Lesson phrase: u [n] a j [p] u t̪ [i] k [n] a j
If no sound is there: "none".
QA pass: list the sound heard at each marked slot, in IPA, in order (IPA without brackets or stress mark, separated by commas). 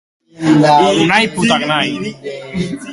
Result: n, p, a, n